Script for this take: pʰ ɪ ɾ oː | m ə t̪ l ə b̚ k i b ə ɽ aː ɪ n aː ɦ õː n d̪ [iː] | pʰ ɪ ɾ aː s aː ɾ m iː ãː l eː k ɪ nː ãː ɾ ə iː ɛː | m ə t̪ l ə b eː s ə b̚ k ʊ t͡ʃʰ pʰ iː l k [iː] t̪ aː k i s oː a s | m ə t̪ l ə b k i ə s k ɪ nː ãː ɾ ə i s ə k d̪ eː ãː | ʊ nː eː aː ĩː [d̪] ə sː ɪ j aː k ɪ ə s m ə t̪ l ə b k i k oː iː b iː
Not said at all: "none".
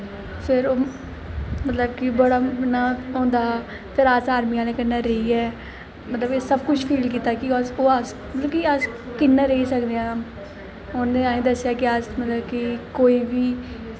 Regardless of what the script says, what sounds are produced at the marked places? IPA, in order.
aː, iː, d̪

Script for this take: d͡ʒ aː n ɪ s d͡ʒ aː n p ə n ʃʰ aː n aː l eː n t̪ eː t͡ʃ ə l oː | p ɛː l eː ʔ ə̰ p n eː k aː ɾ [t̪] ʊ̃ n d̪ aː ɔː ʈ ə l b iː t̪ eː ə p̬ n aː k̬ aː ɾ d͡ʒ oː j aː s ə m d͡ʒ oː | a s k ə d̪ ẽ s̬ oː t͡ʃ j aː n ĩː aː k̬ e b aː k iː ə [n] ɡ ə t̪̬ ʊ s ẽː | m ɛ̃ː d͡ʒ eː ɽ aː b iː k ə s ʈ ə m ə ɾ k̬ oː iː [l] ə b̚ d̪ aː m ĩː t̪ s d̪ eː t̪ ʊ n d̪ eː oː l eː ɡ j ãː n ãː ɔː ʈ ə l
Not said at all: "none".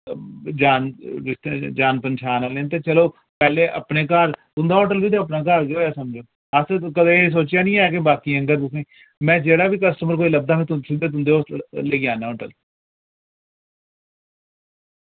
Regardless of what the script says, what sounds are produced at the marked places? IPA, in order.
t̪, ŋ, l

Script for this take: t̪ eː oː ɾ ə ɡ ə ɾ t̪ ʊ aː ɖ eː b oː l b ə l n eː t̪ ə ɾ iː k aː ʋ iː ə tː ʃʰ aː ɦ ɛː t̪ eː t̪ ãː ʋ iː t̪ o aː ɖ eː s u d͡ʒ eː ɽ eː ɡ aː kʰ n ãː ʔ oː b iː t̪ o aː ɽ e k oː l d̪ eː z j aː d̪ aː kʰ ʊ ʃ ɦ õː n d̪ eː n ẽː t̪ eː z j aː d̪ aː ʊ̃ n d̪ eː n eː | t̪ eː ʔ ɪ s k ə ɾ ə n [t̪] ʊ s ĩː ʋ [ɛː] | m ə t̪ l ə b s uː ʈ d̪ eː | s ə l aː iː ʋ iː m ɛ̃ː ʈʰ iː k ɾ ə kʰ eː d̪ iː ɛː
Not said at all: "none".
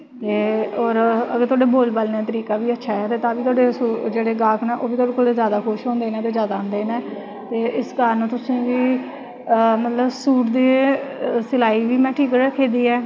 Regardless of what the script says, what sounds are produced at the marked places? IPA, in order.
t̪, iː

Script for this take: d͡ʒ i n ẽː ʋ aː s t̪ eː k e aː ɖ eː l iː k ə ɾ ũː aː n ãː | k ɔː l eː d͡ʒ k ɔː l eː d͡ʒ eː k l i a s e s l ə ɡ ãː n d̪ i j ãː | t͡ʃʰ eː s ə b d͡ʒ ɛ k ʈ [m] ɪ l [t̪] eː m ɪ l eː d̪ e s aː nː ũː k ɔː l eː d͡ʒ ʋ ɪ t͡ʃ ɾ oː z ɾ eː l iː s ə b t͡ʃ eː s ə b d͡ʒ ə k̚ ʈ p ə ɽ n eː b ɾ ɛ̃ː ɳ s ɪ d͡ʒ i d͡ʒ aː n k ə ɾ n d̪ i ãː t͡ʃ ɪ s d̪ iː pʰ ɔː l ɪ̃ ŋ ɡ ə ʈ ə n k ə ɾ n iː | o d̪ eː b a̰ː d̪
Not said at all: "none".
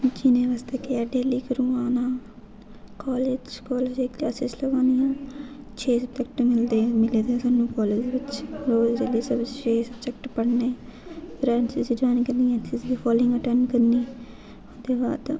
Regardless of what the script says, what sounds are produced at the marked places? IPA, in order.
m, d̪

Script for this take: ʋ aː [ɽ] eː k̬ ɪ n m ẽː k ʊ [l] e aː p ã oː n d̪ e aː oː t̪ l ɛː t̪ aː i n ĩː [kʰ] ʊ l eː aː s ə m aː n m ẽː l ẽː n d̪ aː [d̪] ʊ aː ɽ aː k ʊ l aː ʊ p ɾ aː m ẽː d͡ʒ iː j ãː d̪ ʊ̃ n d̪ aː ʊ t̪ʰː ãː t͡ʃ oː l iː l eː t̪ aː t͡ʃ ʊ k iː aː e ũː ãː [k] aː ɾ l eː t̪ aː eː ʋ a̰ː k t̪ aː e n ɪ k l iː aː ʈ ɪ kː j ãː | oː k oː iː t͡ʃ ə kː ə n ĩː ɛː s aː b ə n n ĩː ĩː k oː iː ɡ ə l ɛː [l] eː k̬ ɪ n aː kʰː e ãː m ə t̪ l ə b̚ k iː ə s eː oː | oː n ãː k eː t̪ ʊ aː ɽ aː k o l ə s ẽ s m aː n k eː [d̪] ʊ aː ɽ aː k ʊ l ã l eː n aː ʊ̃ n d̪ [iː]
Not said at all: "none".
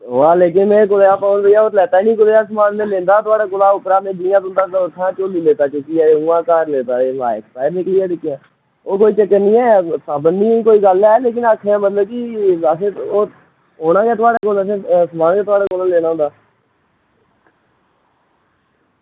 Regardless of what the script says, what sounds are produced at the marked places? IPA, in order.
l, l, k, t̪, k, l, t̪, aː

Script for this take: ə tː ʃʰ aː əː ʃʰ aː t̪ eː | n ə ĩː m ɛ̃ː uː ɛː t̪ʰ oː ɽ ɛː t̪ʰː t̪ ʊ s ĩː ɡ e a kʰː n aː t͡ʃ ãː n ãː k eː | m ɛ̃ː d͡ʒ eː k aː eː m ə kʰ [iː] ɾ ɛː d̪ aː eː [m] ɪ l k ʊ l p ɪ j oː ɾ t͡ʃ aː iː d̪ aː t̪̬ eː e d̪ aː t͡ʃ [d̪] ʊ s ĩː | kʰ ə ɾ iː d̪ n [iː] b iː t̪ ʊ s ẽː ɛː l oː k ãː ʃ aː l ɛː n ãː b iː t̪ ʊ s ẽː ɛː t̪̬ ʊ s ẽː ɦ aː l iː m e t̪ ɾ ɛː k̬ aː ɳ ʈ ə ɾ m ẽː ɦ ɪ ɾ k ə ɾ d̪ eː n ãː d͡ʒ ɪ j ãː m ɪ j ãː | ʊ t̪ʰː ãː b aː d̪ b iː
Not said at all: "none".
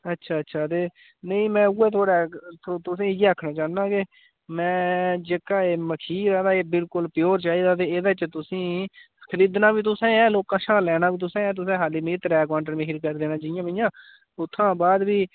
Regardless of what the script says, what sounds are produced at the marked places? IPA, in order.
iː, b, t̪, aː

